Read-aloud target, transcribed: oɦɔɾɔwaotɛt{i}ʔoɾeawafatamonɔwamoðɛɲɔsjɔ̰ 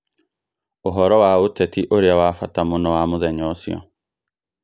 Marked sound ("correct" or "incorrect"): correct